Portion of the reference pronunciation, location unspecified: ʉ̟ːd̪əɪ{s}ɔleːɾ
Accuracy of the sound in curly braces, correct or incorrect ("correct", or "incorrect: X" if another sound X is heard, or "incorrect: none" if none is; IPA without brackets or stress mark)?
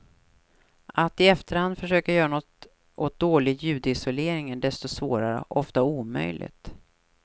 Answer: correct